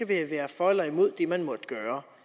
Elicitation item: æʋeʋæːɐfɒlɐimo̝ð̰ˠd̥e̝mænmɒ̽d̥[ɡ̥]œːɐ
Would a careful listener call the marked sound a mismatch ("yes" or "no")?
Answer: no